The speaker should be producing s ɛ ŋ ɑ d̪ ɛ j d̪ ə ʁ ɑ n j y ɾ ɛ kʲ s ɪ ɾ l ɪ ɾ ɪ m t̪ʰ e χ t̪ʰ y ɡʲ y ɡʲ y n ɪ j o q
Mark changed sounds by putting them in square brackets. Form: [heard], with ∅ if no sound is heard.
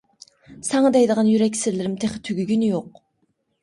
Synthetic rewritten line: s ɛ ŋ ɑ d̪ ɛ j d̪ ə ʁ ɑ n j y ɾ ɛ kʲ s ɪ ɾ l ɪ ɾ ɪ m t̪ʰ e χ t̪ʰ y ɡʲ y ɡʲ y n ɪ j o q

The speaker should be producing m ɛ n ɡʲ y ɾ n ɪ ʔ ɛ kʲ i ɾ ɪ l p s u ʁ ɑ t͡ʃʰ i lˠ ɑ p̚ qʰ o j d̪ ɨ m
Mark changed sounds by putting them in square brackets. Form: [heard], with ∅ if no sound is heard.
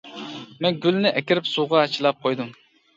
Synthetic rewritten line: m ɛ n ɡʲ y [l] n ɪ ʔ ɛ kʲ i ɾ ɪ [∅] p s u ʁ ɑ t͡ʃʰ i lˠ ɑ p̚ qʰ o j d̪ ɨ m

